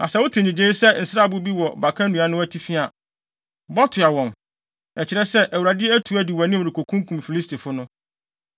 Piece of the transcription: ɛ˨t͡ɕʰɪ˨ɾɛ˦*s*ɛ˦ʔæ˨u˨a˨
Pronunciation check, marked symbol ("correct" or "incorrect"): correct